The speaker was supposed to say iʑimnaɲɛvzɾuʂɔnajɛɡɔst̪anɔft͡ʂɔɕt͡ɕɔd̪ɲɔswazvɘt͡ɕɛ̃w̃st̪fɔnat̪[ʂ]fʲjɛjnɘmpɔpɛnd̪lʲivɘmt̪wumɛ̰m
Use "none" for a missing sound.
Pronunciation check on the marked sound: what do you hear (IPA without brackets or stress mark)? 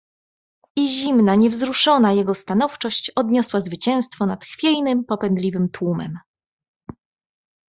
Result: x